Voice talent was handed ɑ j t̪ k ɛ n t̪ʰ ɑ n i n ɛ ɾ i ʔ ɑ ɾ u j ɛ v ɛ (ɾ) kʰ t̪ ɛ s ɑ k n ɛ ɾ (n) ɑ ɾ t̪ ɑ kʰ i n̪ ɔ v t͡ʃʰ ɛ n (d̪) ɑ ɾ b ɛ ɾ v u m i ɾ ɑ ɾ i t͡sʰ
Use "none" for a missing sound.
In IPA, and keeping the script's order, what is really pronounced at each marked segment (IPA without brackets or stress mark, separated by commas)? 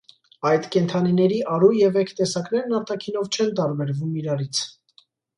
none, n, t̪